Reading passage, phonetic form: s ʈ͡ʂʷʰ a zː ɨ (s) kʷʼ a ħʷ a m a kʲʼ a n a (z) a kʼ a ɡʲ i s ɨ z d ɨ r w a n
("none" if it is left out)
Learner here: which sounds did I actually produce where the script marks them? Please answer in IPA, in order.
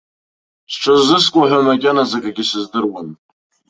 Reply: s, z

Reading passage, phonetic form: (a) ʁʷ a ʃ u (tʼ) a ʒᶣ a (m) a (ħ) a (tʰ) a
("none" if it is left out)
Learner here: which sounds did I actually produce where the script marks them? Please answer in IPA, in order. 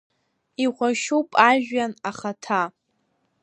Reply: i, pʼ, n, χ, tʰ

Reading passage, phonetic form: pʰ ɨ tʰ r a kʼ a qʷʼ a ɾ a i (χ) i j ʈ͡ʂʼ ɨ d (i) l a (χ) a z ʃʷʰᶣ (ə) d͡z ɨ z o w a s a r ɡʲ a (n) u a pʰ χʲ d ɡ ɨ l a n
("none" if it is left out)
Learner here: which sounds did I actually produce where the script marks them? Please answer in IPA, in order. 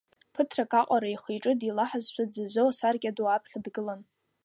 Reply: χ, i, ħ, a, d

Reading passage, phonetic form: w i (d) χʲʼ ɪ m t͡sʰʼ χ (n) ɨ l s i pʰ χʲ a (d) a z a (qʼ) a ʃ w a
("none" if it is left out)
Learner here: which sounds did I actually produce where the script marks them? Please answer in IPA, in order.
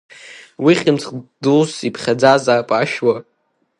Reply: none, d, d͡z, pʼ

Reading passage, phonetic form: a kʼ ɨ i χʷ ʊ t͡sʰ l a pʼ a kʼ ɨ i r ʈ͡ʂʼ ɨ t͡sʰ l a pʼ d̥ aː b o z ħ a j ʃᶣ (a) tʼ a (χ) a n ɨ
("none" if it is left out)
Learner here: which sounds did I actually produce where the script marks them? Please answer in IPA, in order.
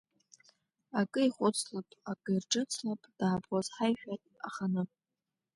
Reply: a, χ

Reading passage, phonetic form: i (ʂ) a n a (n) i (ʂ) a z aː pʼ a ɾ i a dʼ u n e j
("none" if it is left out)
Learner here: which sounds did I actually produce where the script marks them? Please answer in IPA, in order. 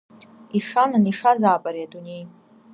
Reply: ʂ, n, ʂ

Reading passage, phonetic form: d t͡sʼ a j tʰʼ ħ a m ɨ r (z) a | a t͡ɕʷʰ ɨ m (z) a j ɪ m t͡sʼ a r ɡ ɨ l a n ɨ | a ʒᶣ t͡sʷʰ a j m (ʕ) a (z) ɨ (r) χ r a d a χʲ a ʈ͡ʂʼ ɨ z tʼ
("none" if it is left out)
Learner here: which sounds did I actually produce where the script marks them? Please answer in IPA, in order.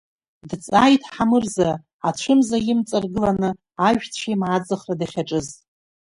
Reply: z, z, ʕ, d͡z, none

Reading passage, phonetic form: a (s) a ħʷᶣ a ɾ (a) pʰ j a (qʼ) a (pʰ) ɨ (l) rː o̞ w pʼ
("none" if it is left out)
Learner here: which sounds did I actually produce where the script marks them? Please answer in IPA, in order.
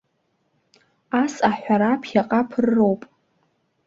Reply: s, a, qʼ, pʰ, r

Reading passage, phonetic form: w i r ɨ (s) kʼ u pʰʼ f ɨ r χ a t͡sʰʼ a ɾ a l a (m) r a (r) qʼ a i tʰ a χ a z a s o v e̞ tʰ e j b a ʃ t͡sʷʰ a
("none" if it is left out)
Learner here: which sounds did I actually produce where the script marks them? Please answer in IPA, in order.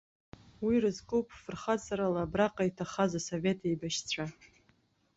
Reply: z, b, none

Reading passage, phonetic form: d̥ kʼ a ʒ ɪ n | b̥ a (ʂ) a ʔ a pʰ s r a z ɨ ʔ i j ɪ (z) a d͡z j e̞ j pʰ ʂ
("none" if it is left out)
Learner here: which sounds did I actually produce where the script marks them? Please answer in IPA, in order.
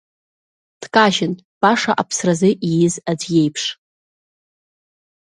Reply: ʂ, z

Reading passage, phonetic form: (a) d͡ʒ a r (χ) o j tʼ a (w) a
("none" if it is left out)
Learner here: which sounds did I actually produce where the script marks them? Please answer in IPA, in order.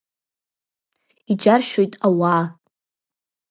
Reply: i, ʃ, w

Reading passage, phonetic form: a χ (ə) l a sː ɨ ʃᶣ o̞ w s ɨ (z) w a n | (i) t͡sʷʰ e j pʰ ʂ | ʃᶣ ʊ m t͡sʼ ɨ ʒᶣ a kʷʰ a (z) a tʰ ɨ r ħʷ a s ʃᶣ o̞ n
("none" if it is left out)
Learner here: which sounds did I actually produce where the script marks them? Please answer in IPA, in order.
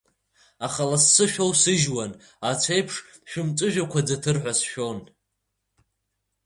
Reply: a, ʒ, a, d͡z

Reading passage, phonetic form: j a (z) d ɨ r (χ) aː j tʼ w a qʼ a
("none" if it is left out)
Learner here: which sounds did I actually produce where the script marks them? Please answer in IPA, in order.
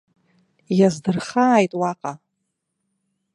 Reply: z, χ

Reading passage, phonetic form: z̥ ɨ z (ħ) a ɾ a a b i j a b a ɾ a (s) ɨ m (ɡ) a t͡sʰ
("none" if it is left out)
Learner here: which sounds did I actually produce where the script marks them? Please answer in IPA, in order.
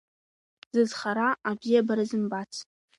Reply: χ, z, b

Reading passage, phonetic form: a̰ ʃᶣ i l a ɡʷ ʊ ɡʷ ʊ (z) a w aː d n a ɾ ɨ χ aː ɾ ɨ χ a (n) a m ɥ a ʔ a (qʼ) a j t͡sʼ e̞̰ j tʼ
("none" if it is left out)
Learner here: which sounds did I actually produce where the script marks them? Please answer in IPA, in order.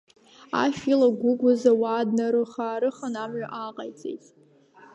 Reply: z, n, qʼ

